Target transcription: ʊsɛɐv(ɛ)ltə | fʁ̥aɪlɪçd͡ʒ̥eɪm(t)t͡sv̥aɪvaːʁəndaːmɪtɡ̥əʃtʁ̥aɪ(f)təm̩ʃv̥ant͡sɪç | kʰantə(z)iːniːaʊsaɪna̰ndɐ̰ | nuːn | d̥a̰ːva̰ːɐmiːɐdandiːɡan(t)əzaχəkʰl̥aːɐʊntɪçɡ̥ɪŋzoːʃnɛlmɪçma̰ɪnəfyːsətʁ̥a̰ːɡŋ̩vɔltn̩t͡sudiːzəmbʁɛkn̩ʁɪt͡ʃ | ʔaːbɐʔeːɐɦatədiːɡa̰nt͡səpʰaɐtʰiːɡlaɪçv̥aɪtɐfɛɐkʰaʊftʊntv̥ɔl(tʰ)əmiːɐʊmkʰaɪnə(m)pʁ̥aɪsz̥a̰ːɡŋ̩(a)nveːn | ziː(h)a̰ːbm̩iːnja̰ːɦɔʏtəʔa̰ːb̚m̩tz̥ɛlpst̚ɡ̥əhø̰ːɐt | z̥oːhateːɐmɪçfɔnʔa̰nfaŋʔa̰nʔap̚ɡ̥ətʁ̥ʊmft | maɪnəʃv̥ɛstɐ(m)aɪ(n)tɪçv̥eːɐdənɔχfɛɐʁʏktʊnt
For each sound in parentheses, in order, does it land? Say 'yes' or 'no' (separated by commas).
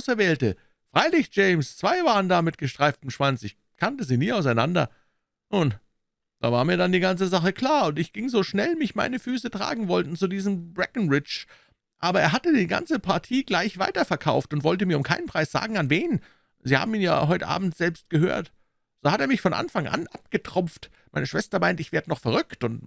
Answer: no, no, yes, yes, no, no, no, yes, yes, yes, yes